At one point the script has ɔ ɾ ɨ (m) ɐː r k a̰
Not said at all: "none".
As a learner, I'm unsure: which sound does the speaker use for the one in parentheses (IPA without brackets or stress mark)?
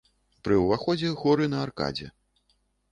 n